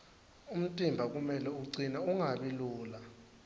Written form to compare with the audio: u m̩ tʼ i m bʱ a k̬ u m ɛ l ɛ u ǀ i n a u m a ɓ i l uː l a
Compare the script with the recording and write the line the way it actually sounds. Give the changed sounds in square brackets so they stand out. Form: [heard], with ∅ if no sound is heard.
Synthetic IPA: u m̩ tʼ i m bʱ a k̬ u m ɛ l ɛ u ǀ i n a u [ŋ] a ɓ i l uː l a